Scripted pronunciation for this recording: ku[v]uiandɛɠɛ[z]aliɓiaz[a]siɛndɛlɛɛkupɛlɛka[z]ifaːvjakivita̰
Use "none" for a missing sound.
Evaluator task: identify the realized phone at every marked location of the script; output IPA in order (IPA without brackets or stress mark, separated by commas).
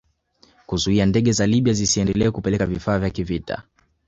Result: z, z, i, v